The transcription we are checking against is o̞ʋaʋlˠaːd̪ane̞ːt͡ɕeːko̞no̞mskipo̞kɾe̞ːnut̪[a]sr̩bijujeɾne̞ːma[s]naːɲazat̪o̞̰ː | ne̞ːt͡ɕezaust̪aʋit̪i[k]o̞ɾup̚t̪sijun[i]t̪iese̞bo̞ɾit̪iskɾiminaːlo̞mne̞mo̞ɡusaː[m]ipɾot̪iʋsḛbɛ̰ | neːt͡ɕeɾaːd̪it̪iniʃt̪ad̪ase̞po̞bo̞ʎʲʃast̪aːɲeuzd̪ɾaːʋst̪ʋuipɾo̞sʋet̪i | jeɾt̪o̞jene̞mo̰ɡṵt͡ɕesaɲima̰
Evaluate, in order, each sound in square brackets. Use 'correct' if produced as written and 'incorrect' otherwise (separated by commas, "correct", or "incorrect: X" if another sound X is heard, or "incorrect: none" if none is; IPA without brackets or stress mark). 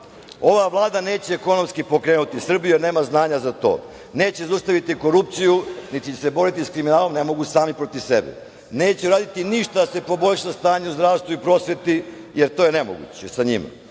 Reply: incorrect: i, incorrect: z, correct, correct, correct